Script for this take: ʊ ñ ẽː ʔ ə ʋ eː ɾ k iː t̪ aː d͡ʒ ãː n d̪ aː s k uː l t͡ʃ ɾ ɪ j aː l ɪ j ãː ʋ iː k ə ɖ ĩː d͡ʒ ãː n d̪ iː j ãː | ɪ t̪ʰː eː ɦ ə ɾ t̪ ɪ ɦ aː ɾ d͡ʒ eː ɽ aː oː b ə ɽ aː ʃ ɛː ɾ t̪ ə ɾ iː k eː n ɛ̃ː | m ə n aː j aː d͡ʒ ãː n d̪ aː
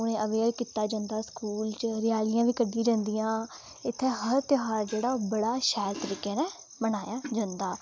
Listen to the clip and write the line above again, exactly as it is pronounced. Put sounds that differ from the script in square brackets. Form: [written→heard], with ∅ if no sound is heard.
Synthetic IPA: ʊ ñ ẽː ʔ ə ʋ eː ɾ k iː t̪ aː d͡ʒ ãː n d̪ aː s k uː l t͡ʃ ɾ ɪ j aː l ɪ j ãː ʋ iː k ə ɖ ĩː d͡ʒ ãː n d̪ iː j ãː | ɪ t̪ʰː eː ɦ ə ɾ t̪ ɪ ɦ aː ɾ d͡ʒ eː ɽ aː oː b ə ɽ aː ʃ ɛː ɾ t̪ ə ɾ iː k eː n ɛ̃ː | m ə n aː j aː d͡ʒ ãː n d̪ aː